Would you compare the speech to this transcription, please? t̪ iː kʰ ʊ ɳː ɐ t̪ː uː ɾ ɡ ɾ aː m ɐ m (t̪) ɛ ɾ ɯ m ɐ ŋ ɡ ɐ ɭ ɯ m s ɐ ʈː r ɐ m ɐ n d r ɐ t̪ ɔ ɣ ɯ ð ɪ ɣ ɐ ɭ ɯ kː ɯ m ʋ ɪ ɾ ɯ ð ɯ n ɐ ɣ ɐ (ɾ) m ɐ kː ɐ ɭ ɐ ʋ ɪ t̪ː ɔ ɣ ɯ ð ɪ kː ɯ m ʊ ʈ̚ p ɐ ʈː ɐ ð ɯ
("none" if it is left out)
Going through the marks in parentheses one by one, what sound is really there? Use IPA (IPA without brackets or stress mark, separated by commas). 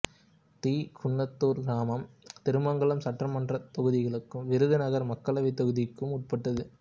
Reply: t̪, ɾ